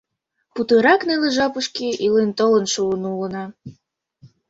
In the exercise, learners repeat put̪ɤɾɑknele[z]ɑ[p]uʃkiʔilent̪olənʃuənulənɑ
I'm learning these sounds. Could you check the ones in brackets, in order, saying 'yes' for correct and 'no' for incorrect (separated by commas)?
no, yes